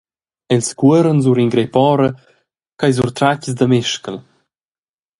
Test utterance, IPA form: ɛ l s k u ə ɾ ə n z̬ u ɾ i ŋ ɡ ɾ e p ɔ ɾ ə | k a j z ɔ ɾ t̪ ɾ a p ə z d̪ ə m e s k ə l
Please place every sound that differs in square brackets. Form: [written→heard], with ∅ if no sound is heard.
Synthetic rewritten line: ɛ l s k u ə ɾ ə n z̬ u ɾ i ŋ ɡ ɾ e p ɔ ɾ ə | k a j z [ɔ→u] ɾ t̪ ɾ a [p→c] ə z d̪ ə m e [s→ʃ] k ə l